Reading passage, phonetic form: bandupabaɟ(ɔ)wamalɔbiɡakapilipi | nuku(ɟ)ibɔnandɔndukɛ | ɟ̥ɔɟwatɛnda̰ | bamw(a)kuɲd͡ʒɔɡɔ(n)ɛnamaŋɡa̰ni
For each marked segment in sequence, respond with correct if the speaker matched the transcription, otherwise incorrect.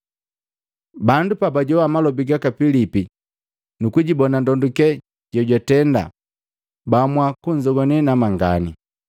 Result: correct, correct, correct, correct

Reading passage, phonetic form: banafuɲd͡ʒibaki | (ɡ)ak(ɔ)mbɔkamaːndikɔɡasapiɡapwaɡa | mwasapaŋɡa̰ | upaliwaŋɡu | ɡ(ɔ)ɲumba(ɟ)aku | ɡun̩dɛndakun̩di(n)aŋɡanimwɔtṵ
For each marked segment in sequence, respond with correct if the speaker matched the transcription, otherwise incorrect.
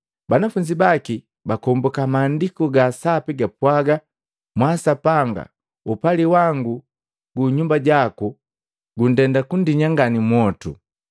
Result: incorrect, correct, incorrect, correct, incorrect

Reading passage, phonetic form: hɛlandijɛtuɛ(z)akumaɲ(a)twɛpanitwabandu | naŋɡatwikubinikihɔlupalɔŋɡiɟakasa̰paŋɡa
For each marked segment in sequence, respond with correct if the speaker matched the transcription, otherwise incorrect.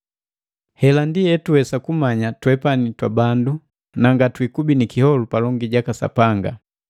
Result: incorrect, correct

